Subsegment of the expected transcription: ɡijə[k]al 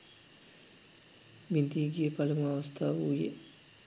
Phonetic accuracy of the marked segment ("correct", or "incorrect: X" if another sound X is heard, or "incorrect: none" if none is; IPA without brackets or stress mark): incorrect: p